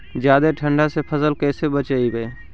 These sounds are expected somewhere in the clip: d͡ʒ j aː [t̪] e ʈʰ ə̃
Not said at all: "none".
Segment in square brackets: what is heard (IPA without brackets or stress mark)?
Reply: d̪